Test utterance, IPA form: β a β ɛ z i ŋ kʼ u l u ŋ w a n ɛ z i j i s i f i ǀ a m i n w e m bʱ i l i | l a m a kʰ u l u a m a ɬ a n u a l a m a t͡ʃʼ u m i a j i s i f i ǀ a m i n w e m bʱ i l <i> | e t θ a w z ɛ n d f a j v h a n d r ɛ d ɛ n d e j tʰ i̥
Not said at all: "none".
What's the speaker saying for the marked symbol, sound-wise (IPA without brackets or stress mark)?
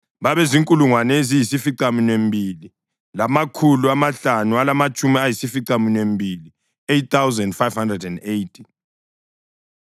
i